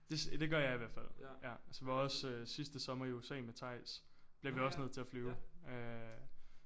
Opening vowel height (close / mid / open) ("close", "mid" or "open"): mid